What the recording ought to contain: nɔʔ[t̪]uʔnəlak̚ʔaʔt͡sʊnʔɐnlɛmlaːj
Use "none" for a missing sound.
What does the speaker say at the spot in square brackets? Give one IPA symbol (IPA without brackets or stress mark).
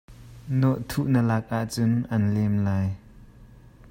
t̪ʰ